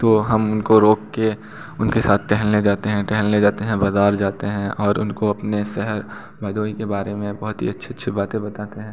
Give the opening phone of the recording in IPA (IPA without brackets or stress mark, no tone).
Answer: t̪